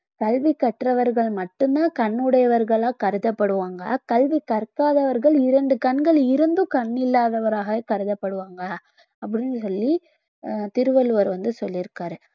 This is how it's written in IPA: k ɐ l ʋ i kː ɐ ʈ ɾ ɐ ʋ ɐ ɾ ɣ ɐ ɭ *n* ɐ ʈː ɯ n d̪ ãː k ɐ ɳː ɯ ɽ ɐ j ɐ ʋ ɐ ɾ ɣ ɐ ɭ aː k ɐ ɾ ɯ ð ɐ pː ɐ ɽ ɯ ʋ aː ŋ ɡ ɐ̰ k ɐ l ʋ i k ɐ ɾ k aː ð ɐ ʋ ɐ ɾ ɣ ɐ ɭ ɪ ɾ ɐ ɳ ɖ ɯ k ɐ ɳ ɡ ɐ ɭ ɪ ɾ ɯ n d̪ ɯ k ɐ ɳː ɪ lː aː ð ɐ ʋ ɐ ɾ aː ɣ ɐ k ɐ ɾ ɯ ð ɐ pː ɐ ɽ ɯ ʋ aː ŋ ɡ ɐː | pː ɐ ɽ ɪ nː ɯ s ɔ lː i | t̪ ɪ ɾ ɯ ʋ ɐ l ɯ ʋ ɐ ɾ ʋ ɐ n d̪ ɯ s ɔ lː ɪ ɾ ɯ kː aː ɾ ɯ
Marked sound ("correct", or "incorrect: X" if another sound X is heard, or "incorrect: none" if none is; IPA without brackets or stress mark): incorrect: m